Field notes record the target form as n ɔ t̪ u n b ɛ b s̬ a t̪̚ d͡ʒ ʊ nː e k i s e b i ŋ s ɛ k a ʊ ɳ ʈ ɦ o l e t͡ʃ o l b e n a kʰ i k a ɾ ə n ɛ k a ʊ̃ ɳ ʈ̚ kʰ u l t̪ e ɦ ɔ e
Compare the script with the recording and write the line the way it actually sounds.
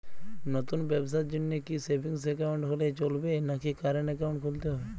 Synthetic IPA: n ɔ t̪ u n b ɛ b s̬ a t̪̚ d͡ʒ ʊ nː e k i s e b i ŋ s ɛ k a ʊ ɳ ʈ ɦ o l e t͡ʃ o l b e n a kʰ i k a ɾ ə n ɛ k a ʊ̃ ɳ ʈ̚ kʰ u l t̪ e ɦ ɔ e